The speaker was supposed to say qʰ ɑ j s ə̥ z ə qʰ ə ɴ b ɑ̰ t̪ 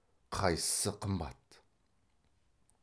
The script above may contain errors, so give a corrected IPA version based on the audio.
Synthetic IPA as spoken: qʰ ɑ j s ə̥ s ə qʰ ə m b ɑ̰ t̪